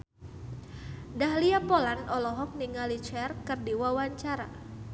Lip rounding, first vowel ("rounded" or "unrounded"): unrounded